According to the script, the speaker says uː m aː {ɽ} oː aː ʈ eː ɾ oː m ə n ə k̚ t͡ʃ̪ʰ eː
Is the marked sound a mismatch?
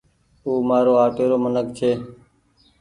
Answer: yes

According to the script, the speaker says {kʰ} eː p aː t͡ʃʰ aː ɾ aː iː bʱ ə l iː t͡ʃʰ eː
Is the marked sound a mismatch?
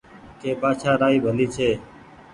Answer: yes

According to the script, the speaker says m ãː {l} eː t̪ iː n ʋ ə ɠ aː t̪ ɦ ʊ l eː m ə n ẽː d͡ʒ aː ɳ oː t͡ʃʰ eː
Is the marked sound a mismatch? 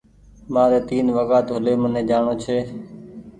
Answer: yes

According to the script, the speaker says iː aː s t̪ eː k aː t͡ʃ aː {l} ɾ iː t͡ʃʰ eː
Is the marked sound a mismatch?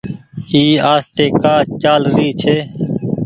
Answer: no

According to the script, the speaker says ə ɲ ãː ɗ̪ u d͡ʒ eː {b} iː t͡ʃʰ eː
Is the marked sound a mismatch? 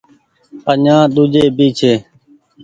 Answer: no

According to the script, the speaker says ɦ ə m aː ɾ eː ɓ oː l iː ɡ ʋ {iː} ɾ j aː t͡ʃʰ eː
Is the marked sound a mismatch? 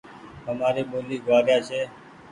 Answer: yes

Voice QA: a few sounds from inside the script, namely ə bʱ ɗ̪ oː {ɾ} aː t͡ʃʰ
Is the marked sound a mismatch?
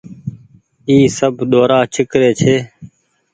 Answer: no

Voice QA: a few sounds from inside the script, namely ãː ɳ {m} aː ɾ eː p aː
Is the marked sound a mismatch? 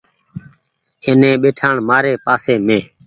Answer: no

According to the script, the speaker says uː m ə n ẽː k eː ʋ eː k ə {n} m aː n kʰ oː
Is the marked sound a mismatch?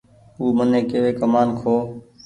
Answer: yes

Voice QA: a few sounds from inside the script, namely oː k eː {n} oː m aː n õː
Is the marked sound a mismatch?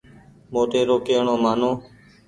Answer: yes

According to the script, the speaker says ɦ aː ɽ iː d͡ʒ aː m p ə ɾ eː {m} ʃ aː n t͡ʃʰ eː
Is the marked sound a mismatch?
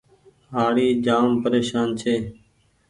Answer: yes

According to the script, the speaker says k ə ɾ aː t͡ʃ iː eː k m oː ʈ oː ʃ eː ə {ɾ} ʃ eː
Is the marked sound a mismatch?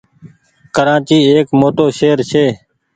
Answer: no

